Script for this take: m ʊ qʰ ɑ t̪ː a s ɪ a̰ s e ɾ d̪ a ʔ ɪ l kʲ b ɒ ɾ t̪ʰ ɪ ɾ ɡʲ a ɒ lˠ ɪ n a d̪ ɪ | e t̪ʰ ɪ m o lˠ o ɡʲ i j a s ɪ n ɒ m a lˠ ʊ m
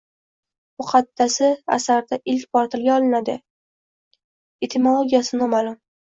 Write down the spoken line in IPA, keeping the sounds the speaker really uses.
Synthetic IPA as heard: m ʊ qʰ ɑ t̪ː a s ɪ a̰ s a ɾ d̪ a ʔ ɪ l kʲ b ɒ ɾ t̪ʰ ɪ l ɡʲ a ɒ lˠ ɪ n a d̪ ɪ | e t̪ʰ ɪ m o lˠ o ɡʲ i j a s ɪ n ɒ m a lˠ ʊ m